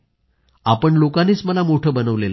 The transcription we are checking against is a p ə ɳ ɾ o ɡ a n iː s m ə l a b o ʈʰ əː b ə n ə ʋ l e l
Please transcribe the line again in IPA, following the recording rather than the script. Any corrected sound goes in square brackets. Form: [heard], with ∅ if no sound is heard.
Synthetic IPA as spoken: a p ə ɳ [l] o [k] a n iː [t͡s] m ə l a [m] o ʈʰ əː b ə n ə ʋ l e l